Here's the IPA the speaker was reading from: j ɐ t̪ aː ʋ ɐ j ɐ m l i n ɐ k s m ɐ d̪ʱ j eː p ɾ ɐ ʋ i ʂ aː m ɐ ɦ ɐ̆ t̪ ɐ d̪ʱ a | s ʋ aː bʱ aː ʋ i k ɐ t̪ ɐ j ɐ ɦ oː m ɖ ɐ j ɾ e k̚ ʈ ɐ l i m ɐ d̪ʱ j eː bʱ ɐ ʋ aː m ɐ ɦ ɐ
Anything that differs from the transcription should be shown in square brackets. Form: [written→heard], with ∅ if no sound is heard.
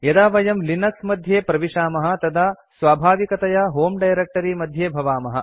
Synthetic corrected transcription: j ɐ [t̪→d̪] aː ʋ ɐ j ɐ m l i n ɐ k s m ɐ d̪ʱ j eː p ɾ ɐ ʋ i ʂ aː m ɐ ɦ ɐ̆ t̪ ɐ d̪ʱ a | s ʋ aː bʱ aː ʋ i k ɐ t̪ ɐ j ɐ ɦ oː m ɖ ɐ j ɾ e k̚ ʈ ɐ [l→ɾ] i m ɐ d̪ʱ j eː bʱ ɐ ʋ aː m ɐ ɦ ɐ